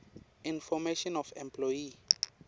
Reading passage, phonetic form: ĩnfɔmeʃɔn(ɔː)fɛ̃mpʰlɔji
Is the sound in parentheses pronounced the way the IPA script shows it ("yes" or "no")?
no